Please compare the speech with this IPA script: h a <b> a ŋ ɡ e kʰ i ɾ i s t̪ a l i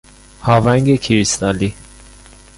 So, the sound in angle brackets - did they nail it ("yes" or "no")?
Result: no